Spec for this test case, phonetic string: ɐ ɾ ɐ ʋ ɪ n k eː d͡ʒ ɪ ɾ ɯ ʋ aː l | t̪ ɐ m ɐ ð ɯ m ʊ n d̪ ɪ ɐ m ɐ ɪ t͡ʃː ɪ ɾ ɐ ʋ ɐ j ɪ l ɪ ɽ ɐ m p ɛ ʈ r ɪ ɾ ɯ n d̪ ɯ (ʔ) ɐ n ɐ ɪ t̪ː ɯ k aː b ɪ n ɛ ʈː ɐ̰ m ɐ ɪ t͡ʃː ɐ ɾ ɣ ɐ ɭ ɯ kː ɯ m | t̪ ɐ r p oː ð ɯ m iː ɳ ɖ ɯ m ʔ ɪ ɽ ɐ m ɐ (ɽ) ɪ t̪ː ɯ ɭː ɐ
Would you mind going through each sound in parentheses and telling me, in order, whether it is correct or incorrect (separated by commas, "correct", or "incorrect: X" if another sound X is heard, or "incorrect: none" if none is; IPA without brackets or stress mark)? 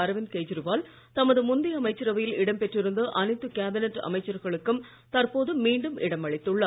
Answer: correct, incorrect: ɭ